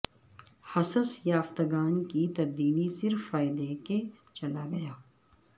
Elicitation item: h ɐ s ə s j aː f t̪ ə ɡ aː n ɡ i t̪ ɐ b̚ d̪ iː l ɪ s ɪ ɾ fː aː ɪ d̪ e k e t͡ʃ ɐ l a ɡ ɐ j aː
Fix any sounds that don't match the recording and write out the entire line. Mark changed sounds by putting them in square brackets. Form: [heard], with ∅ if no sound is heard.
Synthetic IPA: h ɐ s ə s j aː f t̪ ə ɡ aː n [k] i t̪ ɐ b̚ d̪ iː l [i] s ɪ ɾ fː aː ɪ d̪ e k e t͡ʃ ɐ l a ɡ ɐ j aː